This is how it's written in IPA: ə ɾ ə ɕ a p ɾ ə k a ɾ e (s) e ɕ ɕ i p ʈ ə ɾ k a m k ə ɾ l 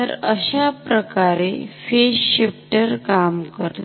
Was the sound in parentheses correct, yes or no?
no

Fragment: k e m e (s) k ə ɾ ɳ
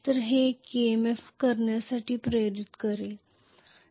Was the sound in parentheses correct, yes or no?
no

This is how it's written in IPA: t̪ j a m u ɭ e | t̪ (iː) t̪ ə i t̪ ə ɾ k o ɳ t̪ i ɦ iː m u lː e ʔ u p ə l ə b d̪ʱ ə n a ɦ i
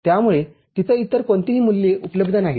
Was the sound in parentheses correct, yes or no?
no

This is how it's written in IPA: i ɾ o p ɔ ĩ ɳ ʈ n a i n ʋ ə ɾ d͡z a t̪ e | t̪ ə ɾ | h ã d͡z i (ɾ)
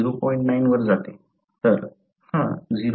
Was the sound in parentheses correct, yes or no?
yes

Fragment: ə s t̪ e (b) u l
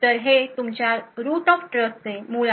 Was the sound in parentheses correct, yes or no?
no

